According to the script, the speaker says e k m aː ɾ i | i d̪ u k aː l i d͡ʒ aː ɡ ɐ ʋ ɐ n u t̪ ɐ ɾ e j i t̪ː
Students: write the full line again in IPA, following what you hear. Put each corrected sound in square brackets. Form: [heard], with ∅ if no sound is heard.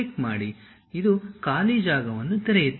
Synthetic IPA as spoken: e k m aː [ɽ] i | i d̪ u k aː l i d͡ʒ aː ɡ ɐ ʋ ɐ [nː] u t̪ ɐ ɾ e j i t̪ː